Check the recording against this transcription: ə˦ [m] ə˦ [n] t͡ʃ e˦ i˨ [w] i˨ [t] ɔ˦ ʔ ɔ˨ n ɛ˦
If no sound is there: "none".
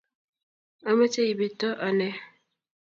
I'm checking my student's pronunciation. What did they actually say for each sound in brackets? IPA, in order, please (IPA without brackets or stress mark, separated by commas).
m, none, b, t